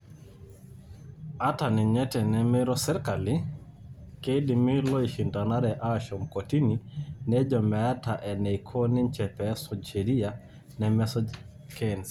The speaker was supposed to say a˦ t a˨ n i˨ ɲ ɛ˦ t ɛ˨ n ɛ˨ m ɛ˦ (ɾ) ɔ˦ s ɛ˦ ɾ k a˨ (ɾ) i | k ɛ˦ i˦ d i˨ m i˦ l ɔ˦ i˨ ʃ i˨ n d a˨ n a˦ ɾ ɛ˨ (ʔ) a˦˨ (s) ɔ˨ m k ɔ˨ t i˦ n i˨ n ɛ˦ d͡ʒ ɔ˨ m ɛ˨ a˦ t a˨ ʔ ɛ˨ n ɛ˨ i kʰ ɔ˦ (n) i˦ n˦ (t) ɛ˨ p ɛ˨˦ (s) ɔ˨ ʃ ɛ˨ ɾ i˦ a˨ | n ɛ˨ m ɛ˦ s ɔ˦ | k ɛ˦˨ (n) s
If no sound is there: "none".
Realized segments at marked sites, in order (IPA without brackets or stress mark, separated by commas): ɾ, l, ʔ, ʃ, n, t͡ʃ, s, n